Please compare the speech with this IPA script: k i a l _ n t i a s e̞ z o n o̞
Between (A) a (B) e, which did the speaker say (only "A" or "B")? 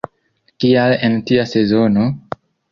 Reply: B